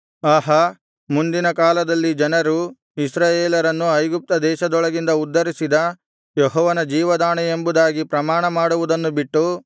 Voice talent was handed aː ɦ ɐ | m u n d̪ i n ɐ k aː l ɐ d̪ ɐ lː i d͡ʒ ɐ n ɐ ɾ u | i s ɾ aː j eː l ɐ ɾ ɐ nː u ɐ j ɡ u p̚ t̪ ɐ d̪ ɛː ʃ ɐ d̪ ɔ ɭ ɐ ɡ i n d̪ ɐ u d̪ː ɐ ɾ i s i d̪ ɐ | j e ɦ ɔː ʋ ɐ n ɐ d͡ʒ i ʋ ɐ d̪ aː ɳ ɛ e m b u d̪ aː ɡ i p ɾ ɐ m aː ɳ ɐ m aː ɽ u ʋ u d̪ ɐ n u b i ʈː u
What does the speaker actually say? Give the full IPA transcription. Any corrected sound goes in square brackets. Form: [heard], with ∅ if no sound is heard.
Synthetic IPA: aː ɦ ɐ | m u n d̪ i n ɐ k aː l ɐ d̪ ɐ lː i d͡ʒ ɐ n ɐ ɾ u | i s ɾ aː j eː l ɐ ɾ ɐ nː u ɐ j ɡ u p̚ t̪ ɐ d̪ ɛː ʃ ɐ d̪ ɔ ɭ ɐ ɡ i n d̪ ɐ u d̪ː ɐ ɾ i s i d̪ ɐ | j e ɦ ɔː ʋ ɐ n ɐ d͡ʒ [iː] ʋ ɐ d̪ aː ɳ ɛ e m b u d̪ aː ɡ i p ɾ ɐ m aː ɳ ɐ m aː ɽ u ʋ u d̪ ɐ [nː] u b i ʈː u